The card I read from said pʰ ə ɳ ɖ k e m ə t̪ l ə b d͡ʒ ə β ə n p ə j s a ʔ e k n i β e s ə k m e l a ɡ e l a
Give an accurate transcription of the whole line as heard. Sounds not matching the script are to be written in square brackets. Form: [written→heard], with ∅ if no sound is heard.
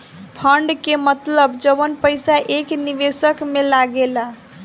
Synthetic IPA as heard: pʰ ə ɳ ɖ k e m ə t̪ l ə b d͡ʒ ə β ə n p ə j s a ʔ e k n i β e s ə k m e l a ɡ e l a

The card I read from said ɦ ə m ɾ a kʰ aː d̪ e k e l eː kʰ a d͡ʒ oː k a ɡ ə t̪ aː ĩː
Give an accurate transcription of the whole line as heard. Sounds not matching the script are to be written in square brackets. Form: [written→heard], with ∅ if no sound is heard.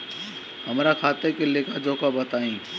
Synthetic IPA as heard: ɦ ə m ɾ a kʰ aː [d̪→t̪] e k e l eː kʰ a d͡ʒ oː k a [ɡ→b] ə t̪ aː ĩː

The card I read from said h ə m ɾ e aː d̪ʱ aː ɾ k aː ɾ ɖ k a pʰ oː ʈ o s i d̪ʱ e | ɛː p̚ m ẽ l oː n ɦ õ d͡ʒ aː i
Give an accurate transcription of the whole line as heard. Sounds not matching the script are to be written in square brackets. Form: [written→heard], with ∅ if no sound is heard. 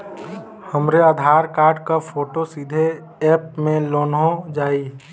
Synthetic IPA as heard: h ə m ɾ e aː d̪ʱ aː ɾ k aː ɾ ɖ k a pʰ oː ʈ o s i d̪ʱ e | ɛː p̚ m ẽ l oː n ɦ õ d͡ʒ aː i

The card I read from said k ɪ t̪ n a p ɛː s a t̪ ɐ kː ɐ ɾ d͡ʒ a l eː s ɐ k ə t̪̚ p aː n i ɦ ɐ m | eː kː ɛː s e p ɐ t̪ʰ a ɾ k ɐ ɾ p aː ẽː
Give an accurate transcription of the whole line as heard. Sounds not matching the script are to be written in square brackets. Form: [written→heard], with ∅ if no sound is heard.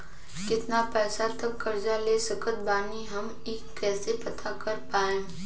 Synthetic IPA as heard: k ɪ t̪ n a p ɛː s a t̪ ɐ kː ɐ ɾ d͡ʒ a l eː s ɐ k ə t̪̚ [p→b] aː n i ɦ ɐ m | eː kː ɛː s e p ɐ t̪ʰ a [ɾ→∅] k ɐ ɾ p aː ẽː

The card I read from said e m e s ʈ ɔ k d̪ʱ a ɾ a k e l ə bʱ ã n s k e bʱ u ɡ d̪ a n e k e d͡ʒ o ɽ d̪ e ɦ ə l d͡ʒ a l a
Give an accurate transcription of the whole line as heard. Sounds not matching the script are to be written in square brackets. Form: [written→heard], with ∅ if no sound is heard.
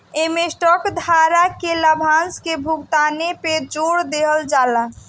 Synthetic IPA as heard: e m e s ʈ ɔ k d̪ʱ a ɾ a k e l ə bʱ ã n s k e bʱ u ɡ [d̪→t̪] a n e [k→p] e d͡ʒ o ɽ d̪ e ɦ ə l d͡ʒ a l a

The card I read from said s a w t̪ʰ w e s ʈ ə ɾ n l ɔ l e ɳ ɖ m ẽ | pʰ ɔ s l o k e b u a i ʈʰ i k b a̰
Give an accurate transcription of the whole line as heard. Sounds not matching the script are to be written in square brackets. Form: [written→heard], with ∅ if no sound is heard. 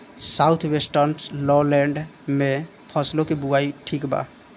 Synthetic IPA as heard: s a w t̪ʰ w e s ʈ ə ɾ n l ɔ l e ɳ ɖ m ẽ | pʰ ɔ s l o k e b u a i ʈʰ i k b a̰

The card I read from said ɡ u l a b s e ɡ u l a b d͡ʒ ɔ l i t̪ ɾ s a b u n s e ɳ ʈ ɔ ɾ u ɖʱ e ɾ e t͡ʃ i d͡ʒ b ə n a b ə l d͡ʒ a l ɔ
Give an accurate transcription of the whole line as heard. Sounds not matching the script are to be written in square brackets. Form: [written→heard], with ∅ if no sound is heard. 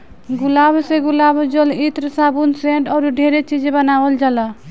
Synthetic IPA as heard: ɡ u l a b s e ɡ u l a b d͡ʒ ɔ l i t̪ ɾ s a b u n s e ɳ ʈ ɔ ɾ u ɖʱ e ɾ e t͡ʃ i d͡ʒ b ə n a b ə l d͡ʒ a l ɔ

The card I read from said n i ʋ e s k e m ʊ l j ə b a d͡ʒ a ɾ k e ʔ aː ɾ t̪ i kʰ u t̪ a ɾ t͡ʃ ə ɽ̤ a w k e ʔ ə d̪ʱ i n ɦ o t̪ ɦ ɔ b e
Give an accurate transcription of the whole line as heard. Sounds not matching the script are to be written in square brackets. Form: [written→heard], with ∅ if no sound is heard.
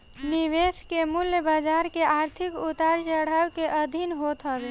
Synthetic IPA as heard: n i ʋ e s k e m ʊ l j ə b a d͡ʒ a ɾ k e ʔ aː ɾ [t̪→t̪ʰ] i [kʰ→k] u t̪ a ɾ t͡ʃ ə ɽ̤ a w k e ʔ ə d̪ʱ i n ɦ o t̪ ɦ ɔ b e

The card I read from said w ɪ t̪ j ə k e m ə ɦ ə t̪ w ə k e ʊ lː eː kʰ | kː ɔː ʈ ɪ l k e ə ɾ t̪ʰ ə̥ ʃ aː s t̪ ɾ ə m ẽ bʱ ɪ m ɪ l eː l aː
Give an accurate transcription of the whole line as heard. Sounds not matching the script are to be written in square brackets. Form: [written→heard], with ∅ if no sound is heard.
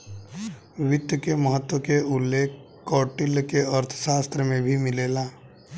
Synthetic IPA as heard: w ɪ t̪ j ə k e m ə ɦ ə t̪ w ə k e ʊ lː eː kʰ | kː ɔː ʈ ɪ l k e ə ɾ t̪ʰ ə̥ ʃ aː s t̪ ɾ ə m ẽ bʱ [ɪ→i] m ɪ l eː l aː

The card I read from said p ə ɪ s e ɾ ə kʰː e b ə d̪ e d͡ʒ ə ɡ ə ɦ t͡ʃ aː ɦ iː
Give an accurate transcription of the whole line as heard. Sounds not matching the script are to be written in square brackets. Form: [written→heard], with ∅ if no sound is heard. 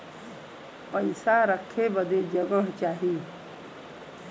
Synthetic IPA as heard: p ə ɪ s [e→a] ɾ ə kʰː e b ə d̪ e d͡ʒ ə ɡ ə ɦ t͡ʃ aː ɦ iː

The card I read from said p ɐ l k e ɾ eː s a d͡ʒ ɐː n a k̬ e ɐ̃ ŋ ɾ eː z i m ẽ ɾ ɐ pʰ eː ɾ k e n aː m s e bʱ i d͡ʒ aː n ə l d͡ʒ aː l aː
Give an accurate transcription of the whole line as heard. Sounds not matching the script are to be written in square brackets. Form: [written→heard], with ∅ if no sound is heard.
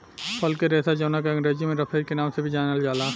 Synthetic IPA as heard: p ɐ l k e ɾ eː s a d͡ʒ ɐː n a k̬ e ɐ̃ ŋ ɾ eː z i m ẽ ɾ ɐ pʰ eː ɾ k e n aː m s e bʱ i d͡ʒ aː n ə l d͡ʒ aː l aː

